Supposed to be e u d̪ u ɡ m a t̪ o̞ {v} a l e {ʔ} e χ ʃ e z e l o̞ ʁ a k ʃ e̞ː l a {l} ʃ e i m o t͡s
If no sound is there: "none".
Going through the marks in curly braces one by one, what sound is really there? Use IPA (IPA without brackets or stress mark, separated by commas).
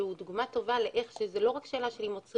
v, ʔ, none